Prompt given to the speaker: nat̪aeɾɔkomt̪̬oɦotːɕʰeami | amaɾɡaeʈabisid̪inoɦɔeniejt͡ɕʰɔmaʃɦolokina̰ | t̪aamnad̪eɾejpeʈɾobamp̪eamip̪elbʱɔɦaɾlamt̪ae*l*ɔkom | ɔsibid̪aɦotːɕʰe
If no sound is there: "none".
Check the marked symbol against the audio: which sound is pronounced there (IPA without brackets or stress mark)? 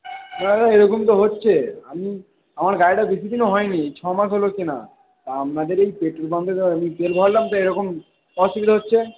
ɾ